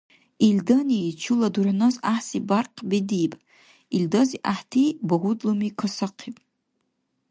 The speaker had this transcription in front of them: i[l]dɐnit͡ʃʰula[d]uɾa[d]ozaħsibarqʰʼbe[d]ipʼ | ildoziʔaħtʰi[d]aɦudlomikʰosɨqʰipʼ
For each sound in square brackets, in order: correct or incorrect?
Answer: correct, correct, incorrect, correct, incorrect

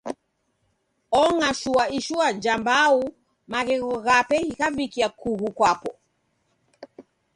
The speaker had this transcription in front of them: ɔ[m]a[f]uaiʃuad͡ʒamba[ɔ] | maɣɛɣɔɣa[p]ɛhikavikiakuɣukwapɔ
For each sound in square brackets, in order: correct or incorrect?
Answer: incorrect, incorrect, incorrect, correct

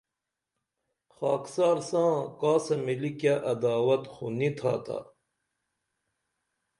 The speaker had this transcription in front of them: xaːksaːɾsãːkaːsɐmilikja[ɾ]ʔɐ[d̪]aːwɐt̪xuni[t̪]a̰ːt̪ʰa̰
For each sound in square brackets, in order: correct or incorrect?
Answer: incorrect, correct, incorrect

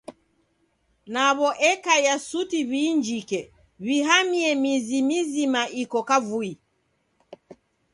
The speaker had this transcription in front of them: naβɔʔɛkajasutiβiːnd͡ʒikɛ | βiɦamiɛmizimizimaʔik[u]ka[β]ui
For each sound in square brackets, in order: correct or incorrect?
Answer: incorrect, incorrect

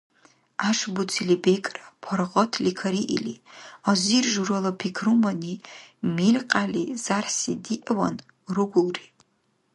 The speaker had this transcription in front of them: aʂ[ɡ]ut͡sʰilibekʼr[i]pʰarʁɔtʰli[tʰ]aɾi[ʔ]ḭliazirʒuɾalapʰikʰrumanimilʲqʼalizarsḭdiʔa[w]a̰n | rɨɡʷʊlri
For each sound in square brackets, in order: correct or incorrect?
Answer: incorrect, incorrect, incorrect, correct, correct

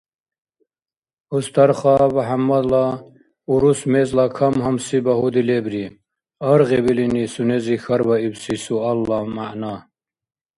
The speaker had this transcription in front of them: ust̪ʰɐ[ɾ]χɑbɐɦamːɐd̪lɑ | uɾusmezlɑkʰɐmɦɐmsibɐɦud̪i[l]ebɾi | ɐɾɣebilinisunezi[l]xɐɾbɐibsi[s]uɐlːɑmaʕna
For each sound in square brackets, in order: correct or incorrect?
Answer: correct, correct, incorrect, correct

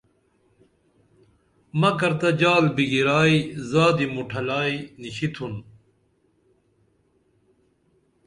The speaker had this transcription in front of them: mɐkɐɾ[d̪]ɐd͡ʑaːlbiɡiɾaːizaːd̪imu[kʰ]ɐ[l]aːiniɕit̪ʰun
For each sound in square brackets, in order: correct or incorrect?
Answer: incorrect, incorrect, correct

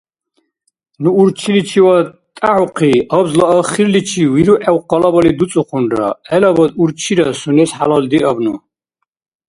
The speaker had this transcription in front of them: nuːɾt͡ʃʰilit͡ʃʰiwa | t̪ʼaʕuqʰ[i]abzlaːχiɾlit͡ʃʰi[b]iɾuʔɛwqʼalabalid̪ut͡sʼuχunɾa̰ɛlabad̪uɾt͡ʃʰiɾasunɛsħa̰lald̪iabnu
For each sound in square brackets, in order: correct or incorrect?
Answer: correct, incorrect

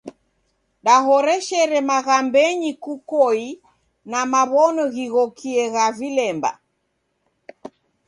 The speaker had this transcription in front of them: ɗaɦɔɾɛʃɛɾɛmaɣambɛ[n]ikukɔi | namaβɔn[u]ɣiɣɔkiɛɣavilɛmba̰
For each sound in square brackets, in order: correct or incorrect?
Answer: incorrect, incorrect

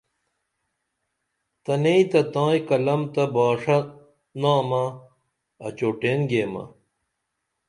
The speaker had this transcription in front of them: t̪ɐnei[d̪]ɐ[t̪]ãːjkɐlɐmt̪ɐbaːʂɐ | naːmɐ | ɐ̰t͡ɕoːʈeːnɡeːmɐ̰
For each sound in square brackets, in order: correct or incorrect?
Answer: incorrect, correct

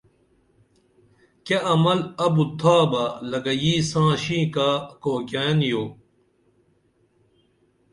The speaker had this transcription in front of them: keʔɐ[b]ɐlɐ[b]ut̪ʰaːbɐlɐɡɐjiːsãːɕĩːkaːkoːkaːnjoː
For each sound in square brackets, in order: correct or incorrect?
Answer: incorrect, correct

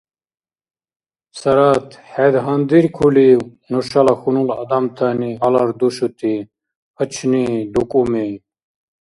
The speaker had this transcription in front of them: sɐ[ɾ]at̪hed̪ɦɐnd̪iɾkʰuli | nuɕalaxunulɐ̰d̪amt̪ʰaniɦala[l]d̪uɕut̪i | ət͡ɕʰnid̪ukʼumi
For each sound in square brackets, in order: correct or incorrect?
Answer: correct, incorrect

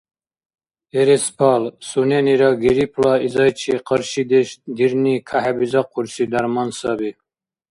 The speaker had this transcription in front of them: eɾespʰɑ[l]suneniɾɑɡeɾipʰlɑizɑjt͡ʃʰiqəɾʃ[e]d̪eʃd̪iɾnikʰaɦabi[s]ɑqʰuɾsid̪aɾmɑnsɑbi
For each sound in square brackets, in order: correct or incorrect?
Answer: correct, incorrect, incorrect

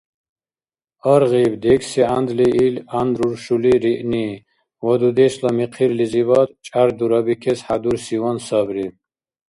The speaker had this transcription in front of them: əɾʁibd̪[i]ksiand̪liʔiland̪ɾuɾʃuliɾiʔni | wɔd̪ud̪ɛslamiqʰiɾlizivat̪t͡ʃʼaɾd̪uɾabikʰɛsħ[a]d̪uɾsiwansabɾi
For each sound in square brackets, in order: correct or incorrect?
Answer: incorrect, correct

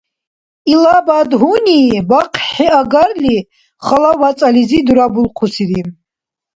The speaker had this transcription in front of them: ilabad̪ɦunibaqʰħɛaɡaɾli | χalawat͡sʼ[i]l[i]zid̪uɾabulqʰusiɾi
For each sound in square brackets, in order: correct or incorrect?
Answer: incorrect, correct

